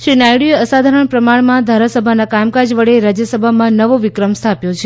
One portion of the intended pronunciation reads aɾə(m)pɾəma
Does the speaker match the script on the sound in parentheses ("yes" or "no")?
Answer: no